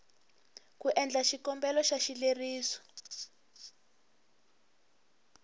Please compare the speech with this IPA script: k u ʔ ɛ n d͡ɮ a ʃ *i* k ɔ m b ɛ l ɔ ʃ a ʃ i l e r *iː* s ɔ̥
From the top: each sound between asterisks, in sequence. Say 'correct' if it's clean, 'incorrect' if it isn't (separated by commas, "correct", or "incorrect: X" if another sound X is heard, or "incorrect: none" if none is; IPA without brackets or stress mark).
correct, correct